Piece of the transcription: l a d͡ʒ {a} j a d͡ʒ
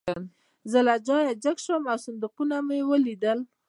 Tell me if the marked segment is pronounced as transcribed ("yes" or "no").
no